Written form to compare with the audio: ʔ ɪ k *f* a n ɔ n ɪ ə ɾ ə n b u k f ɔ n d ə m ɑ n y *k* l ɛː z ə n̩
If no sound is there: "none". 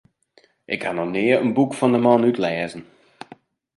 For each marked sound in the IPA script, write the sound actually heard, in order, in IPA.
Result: h, t

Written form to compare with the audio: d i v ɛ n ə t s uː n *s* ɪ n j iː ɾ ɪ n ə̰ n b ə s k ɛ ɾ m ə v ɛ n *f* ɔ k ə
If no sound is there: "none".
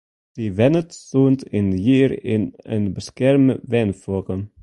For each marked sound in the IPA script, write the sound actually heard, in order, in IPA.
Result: t, f

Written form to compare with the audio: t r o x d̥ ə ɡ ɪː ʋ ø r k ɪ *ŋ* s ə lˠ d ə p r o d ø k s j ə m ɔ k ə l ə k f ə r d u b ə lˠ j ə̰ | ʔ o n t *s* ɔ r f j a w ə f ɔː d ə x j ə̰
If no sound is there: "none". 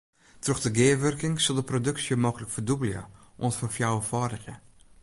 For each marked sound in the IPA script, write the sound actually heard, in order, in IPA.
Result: ŋ, f

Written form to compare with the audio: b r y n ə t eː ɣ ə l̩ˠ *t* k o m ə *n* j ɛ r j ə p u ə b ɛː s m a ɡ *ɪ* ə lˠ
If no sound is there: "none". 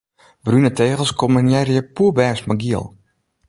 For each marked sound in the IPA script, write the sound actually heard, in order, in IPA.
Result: s, n, i

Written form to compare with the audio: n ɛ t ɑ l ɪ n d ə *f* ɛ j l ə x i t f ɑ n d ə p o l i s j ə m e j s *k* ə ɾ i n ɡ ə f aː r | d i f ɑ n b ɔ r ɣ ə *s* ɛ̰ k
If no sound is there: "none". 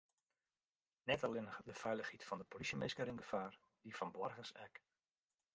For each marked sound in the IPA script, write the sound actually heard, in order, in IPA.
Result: f, k, s

